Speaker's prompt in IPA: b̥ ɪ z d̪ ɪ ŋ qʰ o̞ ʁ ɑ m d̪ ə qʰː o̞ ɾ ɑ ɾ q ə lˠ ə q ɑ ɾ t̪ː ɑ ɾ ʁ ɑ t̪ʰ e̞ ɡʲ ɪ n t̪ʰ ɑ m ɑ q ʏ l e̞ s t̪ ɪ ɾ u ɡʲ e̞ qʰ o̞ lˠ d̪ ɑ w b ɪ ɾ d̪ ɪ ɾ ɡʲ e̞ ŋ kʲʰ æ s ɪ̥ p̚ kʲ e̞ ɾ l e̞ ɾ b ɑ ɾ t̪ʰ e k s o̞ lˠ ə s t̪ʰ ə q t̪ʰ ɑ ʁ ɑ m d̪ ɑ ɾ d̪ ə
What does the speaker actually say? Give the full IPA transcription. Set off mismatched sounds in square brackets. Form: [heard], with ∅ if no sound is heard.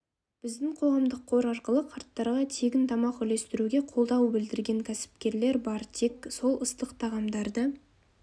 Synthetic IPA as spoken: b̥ ɪ z d̪ ɪ ŋ qʰ o̞ ʁ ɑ m d̪ ə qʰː o̞ ɾ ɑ ɾ q ə lˠ ə [qʰ] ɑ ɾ t̪ː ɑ ɾ ʁ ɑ t̪ʰ e̞ ɡʲ ɪ n t̪ʰ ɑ m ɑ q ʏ l e̞ s t̪ ɪ ɾ u ɡʲ e̞ qʰ o̞ lˠ d̪ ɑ w b ɪ [l] d̪ ɪ ɾ ɡʲ e̞ ŋ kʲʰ æ s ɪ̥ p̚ kʲ e̞ ɾ l e̞ ɾ b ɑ ɾ t̪ʰ e k s o̞ lˠ ə s [t̪] ə q t̪ʰ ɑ ʁ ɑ m d̪ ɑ ɾ d̪ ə

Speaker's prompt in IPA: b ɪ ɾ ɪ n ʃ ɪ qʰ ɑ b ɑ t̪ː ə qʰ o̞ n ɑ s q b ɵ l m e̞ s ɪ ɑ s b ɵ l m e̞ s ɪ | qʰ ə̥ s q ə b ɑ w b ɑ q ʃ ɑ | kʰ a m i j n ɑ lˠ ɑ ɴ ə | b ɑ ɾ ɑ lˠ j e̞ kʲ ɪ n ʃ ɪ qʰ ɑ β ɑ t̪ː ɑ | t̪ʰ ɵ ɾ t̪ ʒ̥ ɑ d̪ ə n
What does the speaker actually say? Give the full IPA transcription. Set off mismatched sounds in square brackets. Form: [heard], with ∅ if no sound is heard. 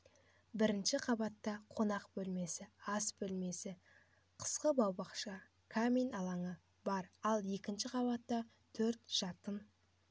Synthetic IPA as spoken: b ɪ ɾ ɪ n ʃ ɪ qʰ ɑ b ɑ t̪ː [ɑ] qʰ o̞ n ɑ [∅] q b ɵ l m e̞ s ɪ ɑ s b ɵ l m e̞ s ɪ | qʰ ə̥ s q ə b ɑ w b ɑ q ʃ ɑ | kʰ a m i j n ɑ lˠ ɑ ɴ ə | b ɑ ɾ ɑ lˠ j e̞ kʲ ɪ n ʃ ɪ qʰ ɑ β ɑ t̪ː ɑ | t̪ʰ ɵ ɾ t̪ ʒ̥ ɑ [t̪] ə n

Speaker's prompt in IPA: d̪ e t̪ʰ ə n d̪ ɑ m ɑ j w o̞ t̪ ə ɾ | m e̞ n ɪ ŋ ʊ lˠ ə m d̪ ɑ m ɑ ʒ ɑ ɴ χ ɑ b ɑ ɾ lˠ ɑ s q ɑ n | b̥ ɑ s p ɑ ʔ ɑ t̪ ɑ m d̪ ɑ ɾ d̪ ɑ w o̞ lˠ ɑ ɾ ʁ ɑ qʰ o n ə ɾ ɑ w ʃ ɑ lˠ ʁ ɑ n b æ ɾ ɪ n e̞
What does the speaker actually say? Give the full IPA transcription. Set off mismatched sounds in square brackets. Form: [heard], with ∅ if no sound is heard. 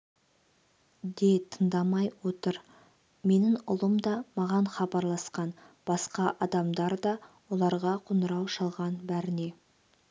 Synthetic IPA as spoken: d̪ e t̪ʰ ə n d̪ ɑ m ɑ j w o̞ t̪ ə ɾ | m e̞ n ɪ ŋ ʊ lˠ ə m d̪ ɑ m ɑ [ʁ] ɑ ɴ χ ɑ b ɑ ɾ lˠ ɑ s q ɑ n | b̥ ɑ s [q] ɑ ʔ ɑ [d̪] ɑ m d̪ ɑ ɾ d̪ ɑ w o̞ lˠ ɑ ɾ ʁ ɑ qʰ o n ə ɾ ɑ w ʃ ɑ lˠ ʁ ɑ n b æ ɾ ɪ n e̞

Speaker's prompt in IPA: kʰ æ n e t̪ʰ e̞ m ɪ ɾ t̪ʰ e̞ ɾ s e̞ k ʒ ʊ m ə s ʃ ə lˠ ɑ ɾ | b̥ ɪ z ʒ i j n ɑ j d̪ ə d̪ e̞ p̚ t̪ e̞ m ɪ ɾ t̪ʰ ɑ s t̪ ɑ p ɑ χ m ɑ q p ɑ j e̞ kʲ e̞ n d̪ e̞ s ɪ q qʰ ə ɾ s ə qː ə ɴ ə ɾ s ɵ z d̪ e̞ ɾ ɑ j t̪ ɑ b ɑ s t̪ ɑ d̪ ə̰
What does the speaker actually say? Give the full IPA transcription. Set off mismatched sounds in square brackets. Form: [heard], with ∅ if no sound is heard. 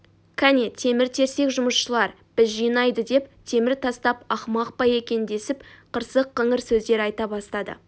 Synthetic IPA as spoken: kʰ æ n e t̪ʰ e̞ m ɪ ɾ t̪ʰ e̞ ɾ s e̞ k ʒ ʊ m ə s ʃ ə lˠ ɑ ɾ | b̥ ɪ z ʒ i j n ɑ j d̪ ə d̪ e̞ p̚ [t̪ʰ] e̞ m ɪ ɾ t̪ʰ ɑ s t̪ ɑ p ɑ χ m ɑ q p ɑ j e̞ kʲ e̞ n d̪ e̞ s ɪ [p] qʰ ə ɾ s ə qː ə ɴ ə ɾ s ɵ z d̪ e̞ ɾ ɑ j t̪ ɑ b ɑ s t̪ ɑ d̪ ə̰

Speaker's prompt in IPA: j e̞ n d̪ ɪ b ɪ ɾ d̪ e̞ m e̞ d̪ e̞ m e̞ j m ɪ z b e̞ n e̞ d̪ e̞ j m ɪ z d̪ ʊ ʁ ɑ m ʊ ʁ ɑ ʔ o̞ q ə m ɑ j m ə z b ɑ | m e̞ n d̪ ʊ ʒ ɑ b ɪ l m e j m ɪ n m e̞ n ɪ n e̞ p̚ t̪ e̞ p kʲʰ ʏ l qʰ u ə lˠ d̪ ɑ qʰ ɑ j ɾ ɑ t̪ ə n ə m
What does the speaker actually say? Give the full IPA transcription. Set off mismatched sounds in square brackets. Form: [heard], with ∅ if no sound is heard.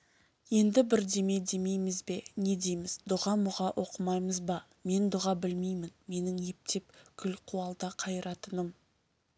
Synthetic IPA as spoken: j e̞ n d̪ ɪ b ɪ ɾ d̪ e̞ m e̞ d̪ e̞ m e̞ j m ɪ z b e̞ n e̞ d̪ e̞ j m ɪ z d̪ ʊ ʁ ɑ m ʊ ʁ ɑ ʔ o̞ q ə m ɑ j m ə z b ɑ | m e̞ n d̪ ʊ [ʁ] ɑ b ɪ l m e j m ɪ n m e̞ n ɪ [ŋ] e̞ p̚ t̪ e̞ p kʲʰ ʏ l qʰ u [ɑ] lˠ d̪ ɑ qʰ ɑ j ɾ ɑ t̪ ə n ə m

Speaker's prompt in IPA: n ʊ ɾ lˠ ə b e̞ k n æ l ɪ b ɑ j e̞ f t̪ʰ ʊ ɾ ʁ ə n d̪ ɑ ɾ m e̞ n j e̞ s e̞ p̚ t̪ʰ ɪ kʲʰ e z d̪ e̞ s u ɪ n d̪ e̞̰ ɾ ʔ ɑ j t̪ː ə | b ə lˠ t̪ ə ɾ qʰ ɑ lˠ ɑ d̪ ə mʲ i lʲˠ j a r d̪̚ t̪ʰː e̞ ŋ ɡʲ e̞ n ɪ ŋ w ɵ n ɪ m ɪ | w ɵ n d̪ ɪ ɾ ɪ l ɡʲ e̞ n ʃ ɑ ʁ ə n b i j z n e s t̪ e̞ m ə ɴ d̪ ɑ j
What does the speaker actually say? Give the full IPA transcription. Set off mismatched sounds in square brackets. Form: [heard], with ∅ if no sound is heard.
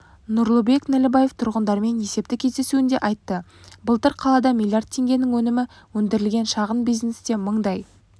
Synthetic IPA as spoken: n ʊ ɾ lˠ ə b e̞ k n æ l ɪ b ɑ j e̞ f t̪ʰ ʊ ɾ ʁ ə n d̪ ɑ ɾ m e̞ n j e̞ s e̞ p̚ [t̪] ɪ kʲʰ e z d̪ e̞ s u ɪ n d̪ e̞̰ [∅] ʔ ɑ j t̪ː ə | b ə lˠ t̪ ə ɾ qʰ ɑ lˠ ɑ d̪ [ɑ] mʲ i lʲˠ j a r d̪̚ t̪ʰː e̞ ŋ ɡʲ e̞ n ɪ ŋ w ɵ n ɪ m ɪ | w ɵ n d̪ ɪ ɾ ɪ l ɡʲ e̞ n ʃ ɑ ʁ ə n b i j z n e s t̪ e̞ m ə ɴ d̪ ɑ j

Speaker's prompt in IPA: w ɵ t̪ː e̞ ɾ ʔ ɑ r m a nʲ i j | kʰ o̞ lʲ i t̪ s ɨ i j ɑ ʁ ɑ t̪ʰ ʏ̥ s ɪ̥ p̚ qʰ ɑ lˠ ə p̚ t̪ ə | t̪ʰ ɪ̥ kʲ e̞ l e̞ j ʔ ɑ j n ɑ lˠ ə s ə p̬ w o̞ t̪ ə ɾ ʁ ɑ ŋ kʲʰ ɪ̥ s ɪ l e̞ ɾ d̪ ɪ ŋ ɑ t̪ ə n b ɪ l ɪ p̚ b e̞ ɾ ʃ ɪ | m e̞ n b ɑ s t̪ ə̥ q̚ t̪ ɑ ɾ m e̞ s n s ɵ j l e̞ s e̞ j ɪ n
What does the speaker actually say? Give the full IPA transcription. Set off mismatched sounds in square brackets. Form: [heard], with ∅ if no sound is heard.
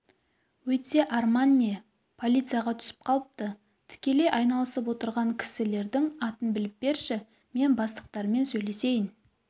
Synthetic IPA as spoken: w ɵ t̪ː e̞ [∅] ʔ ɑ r m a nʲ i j | [pʰ] o̞ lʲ i t̪ s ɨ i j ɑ ʁ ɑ t̪ʰ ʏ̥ s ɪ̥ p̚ qʰ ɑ lˠ ə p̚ t̪ ə | t̪ʰ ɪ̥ kʲ e̞ l e̞ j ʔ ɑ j n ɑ lˠ ə s ə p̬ w o̞ t̪ ə ɾ ʁ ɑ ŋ kʲʰ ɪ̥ s ɪ l e̞ ɾ d̪ ɪ ŋ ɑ t̪ ə n b ɪ l ɪ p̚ b e̞ ɾ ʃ ɪ | m e̞ n b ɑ s t̪ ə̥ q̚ t̪ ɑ ɾ m e̞ [∅] n s ɵ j l e̞ s e̞ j ɪ n

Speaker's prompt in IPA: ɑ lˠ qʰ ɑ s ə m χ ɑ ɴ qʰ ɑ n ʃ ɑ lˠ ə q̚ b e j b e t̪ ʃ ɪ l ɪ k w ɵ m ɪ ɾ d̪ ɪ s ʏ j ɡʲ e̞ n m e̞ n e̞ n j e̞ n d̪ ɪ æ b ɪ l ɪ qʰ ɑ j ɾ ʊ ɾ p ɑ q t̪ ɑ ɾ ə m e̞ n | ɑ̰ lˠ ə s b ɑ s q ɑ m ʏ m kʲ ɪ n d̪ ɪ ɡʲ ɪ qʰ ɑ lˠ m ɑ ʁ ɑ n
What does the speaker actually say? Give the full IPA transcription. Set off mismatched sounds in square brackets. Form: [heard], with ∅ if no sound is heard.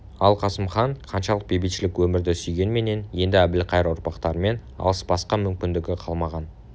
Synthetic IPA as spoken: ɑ lˠ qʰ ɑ s ə m χ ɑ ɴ qʰ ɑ n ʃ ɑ lˠ ə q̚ b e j b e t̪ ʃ ɪ l ɪ k w ɵ m ɪ ɾ d̪ ɪ s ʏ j ɡʲ e̞ n m e̞ n e̞ n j e̞ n d̪ ɪ æ b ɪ l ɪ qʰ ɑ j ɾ ʊ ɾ p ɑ q t̪ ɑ ɾ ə m e̞ n | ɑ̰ lˠ ə s b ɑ s q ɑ m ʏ m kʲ ɪ n d̪ ɪ ɡʲ ɪ qʰ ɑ lˠ m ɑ ʁ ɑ n

